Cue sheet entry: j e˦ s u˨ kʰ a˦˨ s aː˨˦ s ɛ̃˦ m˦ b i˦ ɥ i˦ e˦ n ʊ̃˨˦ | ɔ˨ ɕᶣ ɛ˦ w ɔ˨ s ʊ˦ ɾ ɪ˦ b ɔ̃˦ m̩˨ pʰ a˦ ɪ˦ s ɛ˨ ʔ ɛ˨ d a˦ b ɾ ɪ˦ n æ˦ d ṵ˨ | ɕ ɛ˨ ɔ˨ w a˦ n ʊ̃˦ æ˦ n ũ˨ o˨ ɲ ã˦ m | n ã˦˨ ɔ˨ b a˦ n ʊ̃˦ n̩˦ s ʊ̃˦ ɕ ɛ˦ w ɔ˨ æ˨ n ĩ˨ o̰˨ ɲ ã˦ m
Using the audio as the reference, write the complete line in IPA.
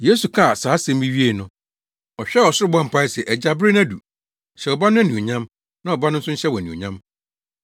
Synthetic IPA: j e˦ s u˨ kʰ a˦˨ s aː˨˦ s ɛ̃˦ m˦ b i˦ ɥ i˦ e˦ n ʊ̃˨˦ | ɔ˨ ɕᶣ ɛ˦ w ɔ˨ s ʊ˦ ɾ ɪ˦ b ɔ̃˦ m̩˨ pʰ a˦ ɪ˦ s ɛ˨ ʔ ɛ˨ d͡ʑ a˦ b ɾ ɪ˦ n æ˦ d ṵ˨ | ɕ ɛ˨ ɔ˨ b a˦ n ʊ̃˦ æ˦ n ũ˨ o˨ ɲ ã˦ m | n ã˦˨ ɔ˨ b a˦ n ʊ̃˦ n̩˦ s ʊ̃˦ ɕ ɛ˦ w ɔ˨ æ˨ n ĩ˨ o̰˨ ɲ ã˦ m